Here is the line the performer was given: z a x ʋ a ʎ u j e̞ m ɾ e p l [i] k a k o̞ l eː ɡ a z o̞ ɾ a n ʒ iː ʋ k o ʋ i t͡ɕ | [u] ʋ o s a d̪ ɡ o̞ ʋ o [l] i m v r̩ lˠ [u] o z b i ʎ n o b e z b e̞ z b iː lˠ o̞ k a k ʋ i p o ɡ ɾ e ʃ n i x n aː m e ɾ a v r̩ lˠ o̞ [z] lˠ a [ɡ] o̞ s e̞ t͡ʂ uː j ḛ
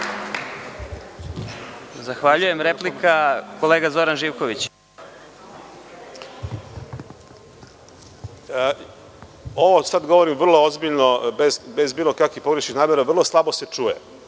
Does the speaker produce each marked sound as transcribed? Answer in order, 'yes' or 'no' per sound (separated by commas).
yes, no, no, no, no, no